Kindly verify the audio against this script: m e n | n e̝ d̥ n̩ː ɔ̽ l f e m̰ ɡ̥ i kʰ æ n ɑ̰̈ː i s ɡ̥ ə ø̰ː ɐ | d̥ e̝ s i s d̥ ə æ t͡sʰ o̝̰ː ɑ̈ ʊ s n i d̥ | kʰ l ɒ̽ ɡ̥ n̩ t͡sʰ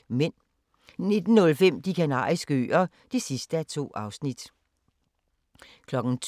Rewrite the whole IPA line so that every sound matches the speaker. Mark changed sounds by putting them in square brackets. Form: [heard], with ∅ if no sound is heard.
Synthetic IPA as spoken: m e n | n e̝ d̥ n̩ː ɔ̽ l f e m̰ [d̥] i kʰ æ n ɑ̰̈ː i s ɡ̥ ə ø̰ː ɐ | d̥ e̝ s i s d̥ ə æ t͡sʰ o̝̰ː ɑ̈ ʊ s n i d̥ | kʰ l ɒ̽ ɡ̥ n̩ t͡sʰ